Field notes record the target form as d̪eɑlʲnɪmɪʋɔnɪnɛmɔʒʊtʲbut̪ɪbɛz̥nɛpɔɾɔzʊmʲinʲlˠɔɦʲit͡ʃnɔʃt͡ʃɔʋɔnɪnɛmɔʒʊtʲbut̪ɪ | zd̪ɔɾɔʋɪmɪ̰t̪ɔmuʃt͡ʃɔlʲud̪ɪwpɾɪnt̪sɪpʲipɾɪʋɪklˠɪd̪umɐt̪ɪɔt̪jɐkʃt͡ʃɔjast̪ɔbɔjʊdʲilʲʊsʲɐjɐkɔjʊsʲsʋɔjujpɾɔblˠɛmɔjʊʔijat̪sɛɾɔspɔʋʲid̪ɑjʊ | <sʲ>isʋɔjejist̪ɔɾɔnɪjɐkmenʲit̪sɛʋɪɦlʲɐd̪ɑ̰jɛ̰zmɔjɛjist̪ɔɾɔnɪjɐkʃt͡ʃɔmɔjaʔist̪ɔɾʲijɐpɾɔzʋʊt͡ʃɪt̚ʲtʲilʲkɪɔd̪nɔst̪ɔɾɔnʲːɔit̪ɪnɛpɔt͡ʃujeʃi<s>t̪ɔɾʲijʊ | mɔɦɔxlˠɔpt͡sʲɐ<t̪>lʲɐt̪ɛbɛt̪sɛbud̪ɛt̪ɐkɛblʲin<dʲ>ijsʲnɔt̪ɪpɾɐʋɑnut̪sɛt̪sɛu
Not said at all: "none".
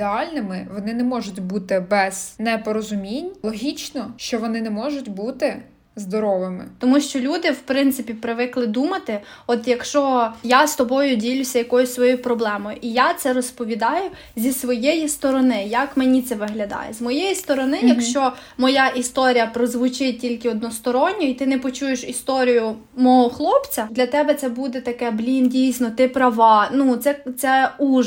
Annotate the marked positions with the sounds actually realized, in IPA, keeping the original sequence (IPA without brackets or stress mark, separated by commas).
zʲ, s, d̪, dʲ